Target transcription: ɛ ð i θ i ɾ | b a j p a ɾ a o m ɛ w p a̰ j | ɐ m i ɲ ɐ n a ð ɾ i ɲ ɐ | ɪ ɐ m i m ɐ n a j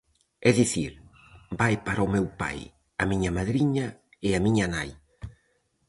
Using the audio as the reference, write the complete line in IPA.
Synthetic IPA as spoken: ɛ ð i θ i ɾ | b a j p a ɾ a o m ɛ w p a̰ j | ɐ m i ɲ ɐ m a ð ɾ i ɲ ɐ | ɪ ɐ m i ɲ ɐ n a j